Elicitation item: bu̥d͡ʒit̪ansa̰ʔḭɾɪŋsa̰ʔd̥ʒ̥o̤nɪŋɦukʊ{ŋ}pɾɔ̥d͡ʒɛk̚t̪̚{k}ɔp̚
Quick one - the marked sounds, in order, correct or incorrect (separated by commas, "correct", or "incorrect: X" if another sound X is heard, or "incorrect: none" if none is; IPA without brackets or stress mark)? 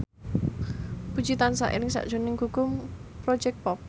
incorrect: m, incorrect: p